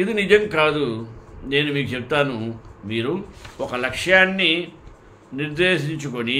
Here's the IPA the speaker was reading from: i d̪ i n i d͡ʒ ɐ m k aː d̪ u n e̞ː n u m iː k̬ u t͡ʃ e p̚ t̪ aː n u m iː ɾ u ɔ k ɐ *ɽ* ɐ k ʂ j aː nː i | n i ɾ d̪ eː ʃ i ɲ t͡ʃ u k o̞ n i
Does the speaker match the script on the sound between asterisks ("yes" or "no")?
no